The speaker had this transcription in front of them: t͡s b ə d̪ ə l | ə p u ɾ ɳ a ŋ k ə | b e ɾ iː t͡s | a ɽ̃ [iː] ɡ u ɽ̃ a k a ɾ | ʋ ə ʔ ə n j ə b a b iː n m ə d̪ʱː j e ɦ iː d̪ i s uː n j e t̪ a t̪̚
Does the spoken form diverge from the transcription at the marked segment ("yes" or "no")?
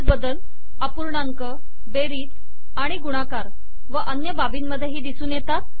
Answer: yes